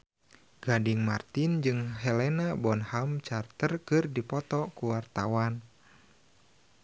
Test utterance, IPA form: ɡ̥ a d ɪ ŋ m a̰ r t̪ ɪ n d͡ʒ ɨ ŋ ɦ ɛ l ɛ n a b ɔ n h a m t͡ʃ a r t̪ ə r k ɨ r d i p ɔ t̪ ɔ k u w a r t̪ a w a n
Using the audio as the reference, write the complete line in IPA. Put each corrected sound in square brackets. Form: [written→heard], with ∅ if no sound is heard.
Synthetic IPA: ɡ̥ a d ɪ ŋ m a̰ r t̪ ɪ n d͡ʒ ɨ ŋ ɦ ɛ l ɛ n a b ɔ n h a m t͡ʃ a r t̪ ə r k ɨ r d i p ɔ t̪ ɔ k u w a r t̪ a w a n